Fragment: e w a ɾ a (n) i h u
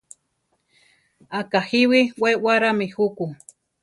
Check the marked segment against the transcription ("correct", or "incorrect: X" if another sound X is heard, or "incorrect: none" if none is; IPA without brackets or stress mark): incorrect: m